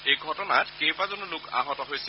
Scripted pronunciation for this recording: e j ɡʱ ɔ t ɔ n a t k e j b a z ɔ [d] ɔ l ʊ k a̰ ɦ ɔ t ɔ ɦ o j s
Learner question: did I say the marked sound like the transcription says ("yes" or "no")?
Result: no